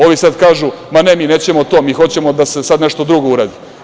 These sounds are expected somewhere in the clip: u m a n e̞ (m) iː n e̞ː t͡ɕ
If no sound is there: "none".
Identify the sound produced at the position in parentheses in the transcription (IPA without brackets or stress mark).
m